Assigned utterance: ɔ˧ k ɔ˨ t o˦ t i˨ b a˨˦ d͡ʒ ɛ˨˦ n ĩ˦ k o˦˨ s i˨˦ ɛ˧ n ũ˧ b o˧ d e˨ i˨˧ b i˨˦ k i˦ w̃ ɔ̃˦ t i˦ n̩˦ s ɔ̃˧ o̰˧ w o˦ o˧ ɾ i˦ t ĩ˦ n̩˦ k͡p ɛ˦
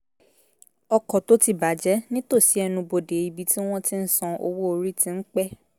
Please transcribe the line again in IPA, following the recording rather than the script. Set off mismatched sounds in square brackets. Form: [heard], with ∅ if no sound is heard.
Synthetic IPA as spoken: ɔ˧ k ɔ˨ t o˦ t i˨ b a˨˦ d͡ʒ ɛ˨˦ n ĩ˦ [t] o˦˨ s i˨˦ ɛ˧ n ũ˧ b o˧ d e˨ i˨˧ b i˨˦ [t] i˦ w̃ ɔ̃˦ t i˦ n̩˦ s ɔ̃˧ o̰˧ w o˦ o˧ ɾ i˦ t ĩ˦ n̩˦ k͡p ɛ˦